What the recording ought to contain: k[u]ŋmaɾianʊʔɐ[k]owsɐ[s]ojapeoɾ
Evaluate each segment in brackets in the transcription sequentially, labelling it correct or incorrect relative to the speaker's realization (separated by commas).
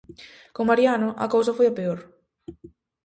incorrect, correct, incorrect